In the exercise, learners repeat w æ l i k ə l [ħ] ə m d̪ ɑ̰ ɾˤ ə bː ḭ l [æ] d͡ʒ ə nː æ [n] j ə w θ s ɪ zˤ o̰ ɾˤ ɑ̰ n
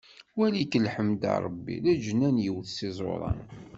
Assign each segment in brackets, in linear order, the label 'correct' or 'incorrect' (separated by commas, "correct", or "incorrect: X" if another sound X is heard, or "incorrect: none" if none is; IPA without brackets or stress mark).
correct, correct, correct